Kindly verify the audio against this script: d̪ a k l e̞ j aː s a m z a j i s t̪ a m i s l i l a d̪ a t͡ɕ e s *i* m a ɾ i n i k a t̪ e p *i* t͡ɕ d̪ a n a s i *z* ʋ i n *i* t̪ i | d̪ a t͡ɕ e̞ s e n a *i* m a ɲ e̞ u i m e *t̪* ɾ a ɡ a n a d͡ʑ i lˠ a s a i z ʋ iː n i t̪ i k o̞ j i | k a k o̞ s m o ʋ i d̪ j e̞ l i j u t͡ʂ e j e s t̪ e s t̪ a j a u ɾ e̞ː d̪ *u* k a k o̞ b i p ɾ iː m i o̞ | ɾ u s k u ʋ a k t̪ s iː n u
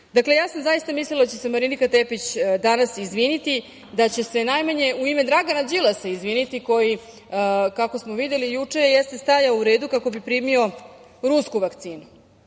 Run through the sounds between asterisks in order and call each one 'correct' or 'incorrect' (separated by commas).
incorrect, correct, correct, correct, incorrect, incorrect, correct